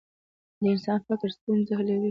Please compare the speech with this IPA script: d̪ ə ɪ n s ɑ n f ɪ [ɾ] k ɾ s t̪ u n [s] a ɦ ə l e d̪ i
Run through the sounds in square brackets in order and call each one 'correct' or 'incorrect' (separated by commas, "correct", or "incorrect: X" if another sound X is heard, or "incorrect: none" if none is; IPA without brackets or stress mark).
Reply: incorrect: none, incorrect: z